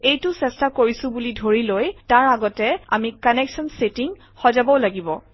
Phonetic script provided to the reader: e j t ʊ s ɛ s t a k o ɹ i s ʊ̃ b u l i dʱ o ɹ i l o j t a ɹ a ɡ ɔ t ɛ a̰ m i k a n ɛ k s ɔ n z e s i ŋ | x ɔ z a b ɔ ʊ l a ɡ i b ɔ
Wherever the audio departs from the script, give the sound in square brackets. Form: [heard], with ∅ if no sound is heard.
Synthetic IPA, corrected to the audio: e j t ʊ s ɛ s t a k o ɹ i s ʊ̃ b u l i dʱ o ɹ i l o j t a ɹ a ɡ ɔ t ɛ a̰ m i k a n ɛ k s ɔ n [s] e [t] i ŋ | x ɔ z a b ɔ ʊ l a ɡ i b ɔ